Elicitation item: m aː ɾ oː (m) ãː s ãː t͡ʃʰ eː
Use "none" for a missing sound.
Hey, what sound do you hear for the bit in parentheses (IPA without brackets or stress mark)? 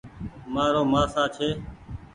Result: m